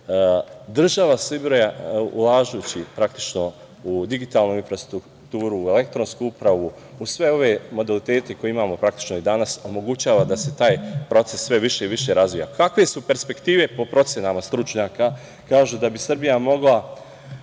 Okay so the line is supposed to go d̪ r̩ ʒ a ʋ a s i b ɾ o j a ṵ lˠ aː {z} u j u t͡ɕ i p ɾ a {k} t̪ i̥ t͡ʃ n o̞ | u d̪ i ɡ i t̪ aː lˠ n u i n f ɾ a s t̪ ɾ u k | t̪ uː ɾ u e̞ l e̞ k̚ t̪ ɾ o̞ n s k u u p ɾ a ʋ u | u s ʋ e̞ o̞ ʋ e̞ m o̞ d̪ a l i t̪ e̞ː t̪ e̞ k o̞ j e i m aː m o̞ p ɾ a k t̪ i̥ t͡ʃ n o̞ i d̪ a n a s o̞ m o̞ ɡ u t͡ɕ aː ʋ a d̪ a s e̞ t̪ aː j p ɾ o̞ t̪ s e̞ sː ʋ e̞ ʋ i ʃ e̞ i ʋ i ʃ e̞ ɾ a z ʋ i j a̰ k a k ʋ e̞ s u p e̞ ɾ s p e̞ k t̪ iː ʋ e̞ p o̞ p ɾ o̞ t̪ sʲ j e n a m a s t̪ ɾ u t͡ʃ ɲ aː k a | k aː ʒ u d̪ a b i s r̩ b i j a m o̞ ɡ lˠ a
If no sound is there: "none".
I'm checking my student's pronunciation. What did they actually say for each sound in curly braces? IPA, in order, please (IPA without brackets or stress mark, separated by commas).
ʒ, k